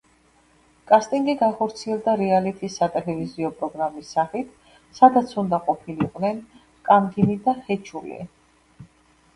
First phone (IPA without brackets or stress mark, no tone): kʼ